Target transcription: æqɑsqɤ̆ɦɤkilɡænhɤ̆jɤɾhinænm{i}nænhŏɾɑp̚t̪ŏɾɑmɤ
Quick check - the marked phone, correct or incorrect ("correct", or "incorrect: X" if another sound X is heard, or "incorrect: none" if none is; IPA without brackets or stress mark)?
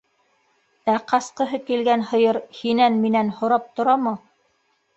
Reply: correct